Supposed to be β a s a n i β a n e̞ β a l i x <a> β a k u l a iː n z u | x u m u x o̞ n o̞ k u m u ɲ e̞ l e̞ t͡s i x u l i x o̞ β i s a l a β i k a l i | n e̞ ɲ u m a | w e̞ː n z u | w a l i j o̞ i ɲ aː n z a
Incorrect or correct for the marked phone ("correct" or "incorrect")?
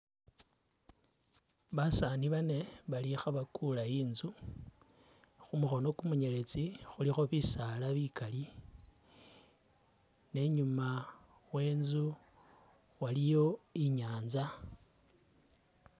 correct